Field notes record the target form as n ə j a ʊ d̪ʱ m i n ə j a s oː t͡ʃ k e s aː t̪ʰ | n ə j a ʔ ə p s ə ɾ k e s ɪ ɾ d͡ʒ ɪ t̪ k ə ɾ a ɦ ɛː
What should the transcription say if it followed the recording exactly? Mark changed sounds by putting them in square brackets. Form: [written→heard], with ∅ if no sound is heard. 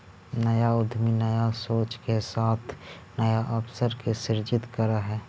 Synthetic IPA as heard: n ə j a ʊ d̪ʱ m i n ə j a s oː t͡ʃ k e s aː t̪ʰ | n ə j a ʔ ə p s ə ɾ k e s ɪ ɾ d͡ʒ ɪ t̪ k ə ɾ a ɦ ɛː